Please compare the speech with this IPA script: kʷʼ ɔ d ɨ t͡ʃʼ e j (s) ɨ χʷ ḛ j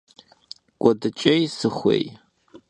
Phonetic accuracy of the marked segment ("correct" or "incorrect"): correct